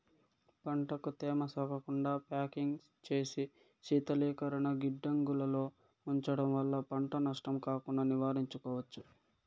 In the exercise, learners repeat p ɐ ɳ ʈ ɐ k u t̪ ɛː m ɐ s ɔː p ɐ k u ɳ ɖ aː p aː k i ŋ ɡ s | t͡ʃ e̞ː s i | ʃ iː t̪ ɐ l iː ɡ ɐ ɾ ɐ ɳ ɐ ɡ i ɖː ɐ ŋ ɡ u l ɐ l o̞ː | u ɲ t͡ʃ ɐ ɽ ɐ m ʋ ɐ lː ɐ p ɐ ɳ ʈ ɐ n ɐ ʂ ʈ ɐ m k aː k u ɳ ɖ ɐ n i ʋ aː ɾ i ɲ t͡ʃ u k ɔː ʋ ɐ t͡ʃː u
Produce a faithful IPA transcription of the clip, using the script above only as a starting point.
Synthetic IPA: p ɐ ɳ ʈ ɐ k u t̪ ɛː m ɐ s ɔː k ɐ k u ɳ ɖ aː p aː k i ŋ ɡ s | t͡ʃ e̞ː s i | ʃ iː t̪ ɐ l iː k ɐ ɾ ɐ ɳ ɐ ɡ i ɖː ɐ ŋ ɡ u l ɐ l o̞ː | u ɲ t͡ʃ ɐ ɽ ɐ m ʋ ɐ lː ɐ p ɐ ɳ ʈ ɐ n ɐ ʂ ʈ ɐ m k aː k u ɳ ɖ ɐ n i ʋ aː ɾ i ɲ t͡ʃ u k ɔː ʋ ɐ t͡ʃː u